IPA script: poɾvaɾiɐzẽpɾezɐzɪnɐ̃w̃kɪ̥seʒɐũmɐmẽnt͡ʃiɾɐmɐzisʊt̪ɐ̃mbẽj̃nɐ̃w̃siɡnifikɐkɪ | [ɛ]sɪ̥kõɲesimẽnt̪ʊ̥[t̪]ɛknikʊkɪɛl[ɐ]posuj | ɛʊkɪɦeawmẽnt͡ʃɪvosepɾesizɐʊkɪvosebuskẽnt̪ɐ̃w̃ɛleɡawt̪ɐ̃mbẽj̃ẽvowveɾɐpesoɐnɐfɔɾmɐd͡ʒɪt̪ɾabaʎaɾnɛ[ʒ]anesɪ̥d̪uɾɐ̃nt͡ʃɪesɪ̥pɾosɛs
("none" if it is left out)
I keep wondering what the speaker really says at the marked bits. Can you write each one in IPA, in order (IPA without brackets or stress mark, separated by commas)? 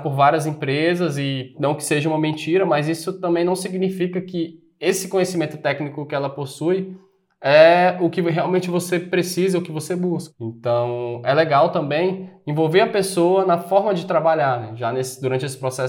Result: e, t̪, ɐ, ʒ